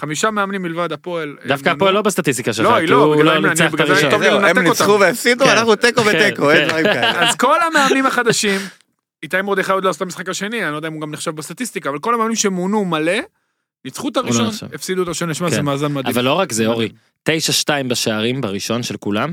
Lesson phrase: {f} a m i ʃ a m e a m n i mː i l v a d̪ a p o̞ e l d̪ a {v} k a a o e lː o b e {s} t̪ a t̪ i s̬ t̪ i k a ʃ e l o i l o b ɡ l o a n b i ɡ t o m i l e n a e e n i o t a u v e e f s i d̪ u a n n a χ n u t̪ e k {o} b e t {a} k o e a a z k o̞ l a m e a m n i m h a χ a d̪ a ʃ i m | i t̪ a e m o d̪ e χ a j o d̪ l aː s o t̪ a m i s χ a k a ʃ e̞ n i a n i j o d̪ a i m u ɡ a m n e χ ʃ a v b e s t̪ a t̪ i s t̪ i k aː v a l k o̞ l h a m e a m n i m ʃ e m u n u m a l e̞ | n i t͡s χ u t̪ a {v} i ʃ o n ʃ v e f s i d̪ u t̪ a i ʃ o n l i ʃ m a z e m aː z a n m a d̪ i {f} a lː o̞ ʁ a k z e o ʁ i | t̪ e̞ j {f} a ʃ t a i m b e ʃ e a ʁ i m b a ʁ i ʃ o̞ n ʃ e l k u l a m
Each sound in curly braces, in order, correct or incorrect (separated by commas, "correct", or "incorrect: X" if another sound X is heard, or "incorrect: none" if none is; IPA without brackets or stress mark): incorrect: χ, incorrect: f, correct, correct, incorrect: e, incorrect: ʁ, incorrect: v, incorrect: ʃ